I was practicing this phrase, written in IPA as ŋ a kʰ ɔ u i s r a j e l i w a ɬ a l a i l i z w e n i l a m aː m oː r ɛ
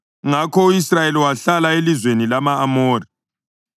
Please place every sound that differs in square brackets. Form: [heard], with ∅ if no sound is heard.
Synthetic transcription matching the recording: ŋ a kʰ ɔ u i s r a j e l i w a ɬ a l a [e] l i z w e n i l a m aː m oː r [i]

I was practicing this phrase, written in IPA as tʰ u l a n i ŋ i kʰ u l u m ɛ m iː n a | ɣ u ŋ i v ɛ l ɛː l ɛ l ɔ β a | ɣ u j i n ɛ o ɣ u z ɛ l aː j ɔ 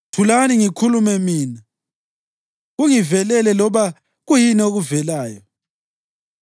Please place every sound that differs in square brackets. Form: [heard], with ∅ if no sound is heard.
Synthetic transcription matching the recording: tʰ u l a n i ŋ i kʰ u l u m ɛ m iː n a | ɣ u ŋ i v ɛ l [ɛ] l ɛ l ɔ β a | ɣ u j i n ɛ o ɣ u [v] ɛ l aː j ɔ

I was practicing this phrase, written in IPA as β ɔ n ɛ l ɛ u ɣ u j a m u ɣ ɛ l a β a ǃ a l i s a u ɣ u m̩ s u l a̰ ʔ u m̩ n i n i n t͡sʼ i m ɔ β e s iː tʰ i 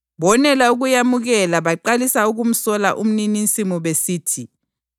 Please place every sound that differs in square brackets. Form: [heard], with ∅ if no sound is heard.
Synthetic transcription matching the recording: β ɔ n ɛ l [a] u ɣ u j a m u ɣ ɛ l a β a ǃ a l i s a u ɣ u m̩ s [ɔ] l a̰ ʔ u m̩ n i n i n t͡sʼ i m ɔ β e s iː tʰ i

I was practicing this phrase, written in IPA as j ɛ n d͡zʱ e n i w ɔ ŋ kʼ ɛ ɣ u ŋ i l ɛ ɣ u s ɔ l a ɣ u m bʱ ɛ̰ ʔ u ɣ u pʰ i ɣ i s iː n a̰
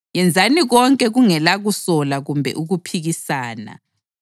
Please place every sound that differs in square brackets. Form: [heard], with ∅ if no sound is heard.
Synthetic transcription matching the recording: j ɛ n d͡zʱ [a] n i [ɣ] ɔ ŋ kʼ ɛ ɣ u ŋ [ɛ] l [a] ɣ u s ɔ l a ɣ u m bʱ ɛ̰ ʔ u ɣ u pʰ i ɣ i s [aː] n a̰

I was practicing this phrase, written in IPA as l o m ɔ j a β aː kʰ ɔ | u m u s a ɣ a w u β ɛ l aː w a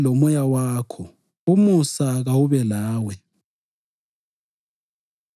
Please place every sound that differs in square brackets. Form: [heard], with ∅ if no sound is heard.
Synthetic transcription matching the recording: l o m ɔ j a [w] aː kʰ ɔ | u m u s a ɣ a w u β ɛ l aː w [ɛ]

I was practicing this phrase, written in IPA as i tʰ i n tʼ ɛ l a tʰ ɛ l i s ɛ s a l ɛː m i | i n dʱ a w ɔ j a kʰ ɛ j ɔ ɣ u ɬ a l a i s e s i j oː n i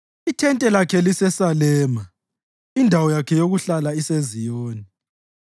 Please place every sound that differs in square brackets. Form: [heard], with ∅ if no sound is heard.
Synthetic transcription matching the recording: i tʰ [ɛ] n tʼ ɛ l a [kʰ] ɛ l i s ɛ s a l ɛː m [a] | i n dʱ a w ɔ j a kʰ ɛ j [o] ɣ u ɬ a l a i s e [z] i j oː n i

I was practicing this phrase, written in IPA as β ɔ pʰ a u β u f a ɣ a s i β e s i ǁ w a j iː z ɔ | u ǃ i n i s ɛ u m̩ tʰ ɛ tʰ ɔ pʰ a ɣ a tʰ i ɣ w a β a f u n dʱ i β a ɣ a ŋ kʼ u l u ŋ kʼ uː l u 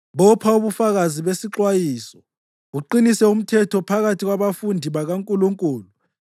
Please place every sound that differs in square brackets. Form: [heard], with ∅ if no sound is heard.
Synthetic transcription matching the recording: β ɔ pʰ a u β u f a ɣ a [z] i β e s i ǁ w a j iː [s] ɔ | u ǃ i n i s ɛ u m̩ tʰ ɛ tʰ ɔ pʰ a ɣ a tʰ i ɣ w a β a f u n dʱ i β a ɣ a ŋ kʼ u l u ŋ kʼ uː l u

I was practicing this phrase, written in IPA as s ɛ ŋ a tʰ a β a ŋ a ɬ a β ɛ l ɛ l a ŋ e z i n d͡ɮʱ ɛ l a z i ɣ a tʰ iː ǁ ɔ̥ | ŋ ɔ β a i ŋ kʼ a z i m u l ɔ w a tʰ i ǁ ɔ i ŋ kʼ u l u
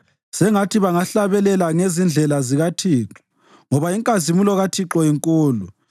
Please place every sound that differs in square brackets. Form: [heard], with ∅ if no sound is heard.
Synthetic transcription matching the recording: s ɛ ŋ a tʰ [i] β a ŋ a ɬ a β ɛ l ɛ l a ŋ e z i n d͡ɮʱ ɛ l a z i ɣ a tʰ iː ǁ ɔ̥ | ŋ ɔ β a i ŋ kʼ a z i m u l ɔ [ɣ] a tʰ i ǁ ɔ i ŋ kʼ [uː] l u

